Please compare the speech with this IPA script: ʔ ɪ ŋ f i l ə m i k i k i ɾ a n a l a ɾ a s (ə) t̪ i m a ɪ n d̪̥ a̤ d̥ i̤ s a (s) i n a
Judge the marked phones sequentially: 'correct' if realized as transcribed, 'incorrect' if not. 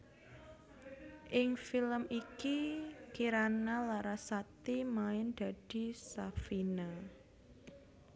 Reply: incorrect: a, incorrect: f

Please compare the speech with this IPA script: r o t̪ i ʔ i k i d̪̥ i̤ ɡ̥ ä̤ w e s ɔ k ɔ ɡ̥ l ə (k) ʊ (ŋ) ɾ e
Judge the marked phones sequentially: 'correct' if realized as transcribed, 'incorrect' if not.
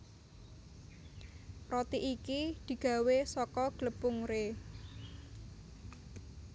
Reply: incorrect: p, correct

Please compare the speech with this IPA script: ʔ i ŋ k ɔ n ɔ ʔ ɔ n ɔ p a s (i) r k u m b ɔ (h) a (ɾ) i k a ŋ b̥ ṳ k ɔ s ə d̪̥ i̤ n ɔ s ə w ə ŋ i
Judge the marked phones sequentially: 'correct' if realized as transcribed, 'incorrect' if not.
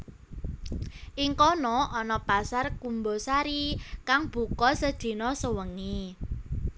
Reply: incorrect: a, incorrect: s, correct

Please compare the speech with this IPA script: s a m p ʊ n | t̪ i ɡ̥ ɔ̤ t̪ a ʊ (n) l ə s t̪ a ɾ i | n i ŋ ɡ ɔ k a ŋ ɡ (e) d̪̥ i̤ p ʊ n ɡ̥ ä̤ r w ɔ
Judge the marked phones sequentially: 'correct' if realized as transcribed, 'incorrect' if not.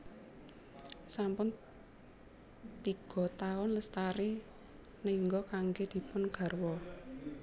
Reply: correct, correct

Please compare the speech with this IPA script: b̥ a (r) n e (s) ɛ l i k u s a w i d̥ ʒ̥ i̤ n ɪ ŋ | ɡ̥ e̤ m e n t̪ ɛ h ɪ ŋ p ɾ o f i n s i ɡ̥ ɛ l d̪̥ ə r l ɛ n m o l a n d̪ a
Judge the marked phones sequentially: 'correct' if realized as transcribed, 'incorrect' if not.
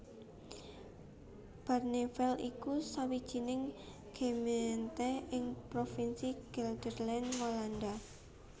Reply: correct, incorrect: f

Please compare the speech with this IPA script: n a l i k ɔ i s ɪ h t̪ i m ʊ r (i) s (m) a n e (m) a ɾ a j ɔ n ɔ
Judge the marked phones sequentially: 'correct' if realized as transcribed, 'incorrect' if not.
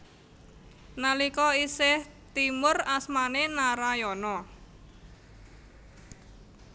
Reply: incorrect: a, correct, incorrect: n

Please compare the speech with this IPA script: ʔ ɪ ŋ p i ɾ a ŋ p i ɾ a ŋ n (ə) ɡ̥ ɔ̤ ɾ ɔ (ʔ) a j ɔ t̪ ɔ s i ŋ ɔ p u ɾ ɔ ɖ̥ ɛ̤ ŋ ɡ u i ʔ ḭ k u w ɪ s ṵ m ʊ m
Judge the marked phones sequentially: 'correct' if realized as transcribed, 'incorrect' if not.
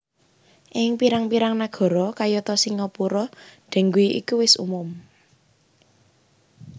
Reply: incorrect: a, incorrect: k

